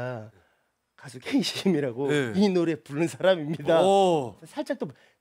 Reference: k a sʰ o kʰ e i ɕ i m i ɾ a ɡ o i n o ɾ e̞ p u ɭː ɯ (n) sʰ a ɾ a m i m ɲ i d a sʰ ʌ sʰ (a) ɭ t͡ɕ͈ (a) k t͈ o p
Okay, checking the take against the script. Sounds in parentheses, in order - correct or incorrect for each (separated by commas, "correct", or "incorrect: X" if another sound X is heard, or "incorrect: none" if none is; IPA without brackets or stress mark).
correct, correct, correct